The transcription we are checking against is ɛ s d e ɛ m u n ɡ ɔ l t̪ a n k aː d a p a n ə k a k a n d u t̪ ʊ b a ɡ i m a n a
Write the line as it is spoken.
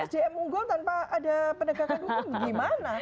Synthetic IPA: ɛ s d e ɛ m u ŋ ɡ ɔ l t̪ a n p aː d a p ə n ə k a k a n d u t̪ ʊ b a ɡ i m a n a